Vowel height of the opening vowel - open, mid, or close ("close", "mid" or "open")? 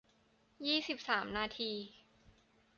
close